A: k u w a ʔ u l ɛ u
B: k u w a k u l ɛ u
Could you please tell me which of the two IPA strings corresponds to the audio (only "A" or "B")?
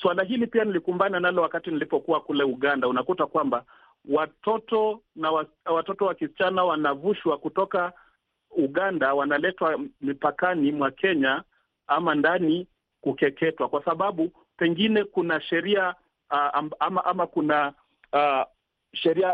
B